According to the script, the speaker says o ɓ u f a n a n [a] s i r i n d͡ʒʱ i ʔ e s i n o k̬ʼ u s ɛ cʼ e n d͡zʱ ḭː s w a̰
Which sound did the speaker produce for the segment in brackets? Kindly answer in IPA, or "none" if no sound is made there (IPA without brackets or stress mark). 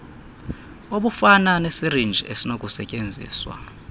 e